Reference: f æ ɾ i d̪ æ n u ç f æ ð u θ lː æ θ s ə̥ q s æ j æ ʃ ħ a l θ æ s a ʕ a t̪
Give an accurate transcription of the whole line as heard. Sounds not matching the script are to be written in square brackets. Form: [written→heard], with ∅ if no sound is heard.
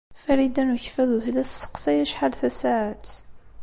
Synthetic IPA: f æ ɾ i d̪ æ n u ç f æ ð u θ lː æ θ s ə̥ q s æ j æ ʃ ħ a l θ æ s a ʕ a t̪

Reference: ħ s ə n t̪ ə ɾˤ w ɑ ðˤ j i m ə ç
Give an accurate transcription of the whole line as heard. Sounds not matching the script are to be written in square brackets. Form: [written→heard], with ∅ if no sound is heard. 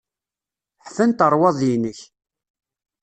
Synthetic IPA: ħ [s→f] ə n t̪ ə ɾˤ w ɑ ðˤ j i [m→n] ə ç

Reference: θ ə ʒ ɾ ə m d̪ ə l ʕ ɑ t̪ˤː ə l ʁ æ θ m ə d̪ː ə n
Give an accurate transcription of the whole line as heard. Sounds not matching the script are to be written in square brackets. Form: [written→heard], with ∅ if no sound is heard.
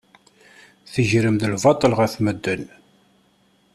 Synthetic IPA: θ ə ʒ ɾ ə m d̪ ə l [ʕ→v] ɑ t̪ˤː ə l ʁ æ θ m ə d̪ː ə n

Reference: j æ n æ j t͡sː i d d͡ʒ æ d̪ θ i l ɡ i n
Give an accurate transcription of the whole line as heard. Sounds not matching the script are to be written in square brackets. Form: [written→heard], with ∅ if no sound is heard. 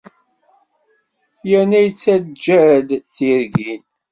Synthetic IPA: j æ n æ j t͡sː [i→æ] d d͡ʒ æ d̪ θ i [l→ɾ] ɡ i n

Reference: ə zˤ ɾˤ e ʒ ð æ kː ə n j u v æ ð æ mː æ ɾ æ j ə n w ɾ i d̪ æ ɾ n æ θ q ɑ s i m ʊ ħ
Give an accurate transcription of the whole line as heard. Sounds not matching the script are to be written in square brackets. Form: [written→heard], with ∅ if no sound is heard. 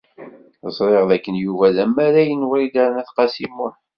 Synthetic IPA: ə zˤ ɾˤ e [ʒ→ʁ] ð æ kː ə n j u v æ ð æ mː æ ɾ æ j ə n w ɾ i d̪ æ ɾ n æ θ q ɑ s i m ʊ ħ

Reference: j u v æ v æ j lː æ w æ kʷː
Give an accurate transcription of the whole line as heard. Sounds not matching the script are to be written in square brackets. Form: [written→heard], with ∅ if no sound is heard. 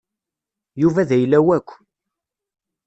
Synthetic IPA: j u v æ [v→ð] æ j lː æ w æ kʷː

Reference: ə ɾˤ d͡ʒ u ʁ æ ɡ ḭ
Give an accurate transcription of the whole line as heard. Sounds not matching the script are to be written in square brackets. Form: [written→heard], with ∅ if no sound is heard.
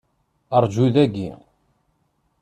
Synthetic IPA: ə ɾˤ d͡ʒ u [ʁ→ð] æ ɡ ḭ

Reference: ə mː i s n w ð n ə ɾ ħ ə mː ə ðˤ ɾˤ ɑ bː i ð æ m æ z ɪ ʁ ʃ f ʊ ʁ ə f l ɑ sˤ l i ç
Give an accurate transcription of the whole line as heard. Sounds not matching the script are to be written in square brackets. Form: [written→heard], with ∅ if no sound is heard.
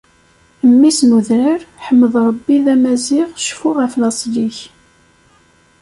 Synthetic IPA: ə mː i s n [w→u] ð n ə ɾ ħ ə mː ə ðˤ ɾˤ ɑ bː i ð æ m æ z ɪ ʁ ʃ f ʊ ʁ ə f l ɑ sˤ l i ç

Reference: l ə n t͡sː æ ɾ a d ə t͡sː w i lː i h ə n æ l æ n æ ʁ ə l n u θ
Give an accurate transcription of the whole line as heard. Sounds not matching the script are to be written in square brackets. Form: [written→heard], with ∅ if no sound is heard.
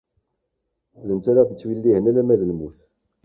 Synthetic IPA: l ə n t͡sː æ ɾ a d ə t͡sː w i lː i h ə n æ l æ [n→m] æ [ʁ→ð] ə l [n→m] u θ

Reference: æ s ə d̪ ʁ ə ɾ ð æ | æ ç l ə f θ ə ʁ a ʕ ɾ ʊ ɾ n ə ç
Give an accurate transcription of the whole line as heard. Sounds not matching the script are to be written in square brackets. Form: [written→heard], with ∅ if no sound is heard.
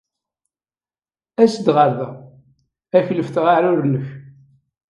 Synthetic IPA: æ s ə d̪ ʁ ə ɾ ð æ | æ ç l ə f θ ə ʁ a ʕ ɾ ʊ ɾ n ə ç

